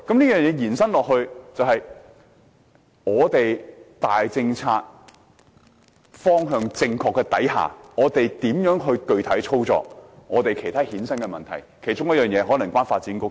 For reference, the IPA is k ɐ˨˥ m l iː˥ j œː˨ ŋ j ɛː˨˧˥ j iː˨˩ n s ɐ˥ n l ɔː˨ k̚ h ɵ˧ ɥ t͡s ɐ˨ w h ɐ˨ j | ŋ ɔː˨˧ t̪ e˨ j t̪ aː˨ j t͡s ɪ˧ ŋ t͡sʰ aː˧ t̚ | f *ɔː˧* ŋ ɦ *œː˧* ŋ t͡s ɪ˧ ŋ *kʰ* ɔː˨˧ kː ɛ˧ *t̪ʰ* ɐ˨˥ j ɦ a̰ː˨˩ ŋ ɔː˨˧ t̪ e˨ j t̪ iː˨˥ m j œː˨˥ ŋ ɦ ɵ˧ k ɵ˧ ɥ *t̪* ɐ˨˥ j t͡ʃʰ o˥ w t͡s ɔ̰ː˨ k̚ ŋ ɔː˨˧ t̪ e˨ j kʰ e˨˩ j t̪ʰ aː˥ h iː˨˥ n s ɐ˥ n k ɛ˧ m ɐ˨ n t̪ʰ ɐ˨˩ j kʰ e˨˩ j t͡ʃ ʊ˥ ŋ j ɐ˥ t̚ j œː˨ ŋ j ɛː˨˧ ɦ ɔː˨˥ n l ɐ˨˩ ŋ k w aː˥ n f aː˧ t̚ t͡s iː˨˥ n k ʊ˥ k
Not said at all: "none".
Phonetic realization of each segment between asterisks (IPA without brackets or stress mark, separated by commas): ɔː˥, œː˧, kʰ, t̪, t̪ʰ